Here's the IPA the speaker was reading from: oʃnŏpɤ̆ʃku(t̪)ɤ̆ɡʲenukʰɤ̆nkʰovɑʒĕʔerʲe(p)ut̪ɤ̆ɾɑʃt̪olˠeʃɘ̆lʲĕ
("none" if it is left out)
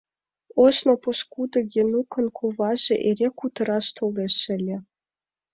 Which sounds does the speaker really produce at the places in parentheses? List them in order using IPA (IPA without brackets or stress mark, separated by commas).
d̪, k